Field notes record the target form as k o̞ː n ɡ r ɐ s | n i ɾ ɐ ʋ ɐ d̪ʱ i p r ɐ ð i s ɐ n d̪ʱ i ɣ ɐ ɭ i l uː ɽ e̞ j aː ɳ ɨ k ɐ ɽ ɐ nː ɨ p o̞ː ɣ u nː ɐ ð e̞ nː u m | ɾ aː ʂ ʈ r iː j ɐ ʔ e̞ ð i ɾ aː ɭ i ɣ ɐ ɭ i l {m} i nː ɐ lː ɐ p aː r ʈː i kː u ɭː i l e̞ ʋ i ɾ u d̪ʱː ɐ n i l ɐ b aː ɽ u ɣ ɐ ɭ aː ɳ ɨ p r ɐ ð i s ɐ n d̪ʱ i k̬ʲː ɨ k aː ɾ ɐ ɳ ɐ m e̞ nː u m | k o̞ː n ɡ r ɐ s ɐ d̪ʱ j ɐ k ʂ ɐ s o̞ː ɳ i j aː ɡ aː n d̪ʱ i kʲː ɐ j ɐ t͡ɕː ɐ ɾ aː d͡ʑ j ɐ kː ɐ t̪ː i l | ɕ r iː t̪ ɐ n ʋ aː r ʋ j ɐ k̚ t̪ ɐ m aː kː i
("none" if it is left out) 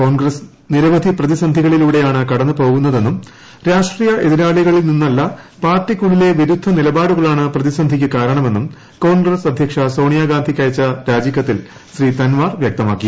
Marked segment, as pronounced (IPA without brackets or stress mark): n